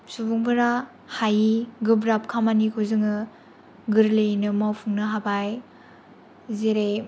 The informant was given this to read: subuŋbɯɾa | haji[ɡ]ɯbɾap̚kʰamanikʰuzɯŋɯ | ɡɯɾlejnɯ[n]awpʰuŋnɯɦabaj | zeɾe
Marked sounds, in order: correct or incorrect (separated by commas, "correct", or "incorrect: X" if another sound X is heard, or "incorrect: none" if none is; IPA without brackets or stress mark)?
correct, incorrect: m